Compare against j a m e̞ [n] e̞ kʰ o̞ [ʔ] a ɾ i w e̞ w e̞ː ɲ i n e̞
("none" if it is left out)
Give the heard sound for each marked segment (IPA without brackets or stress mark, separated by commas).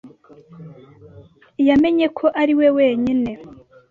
ɲ, ʔ